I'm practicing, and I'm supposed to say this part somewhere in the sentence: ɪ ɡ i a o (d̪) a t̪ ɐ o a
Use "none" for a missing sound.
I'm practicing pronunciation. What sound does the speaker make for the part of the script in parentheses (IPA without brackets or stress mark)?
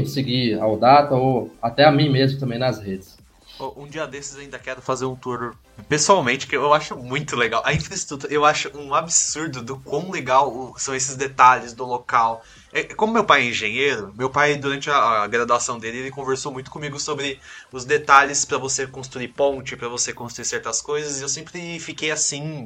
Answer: d̪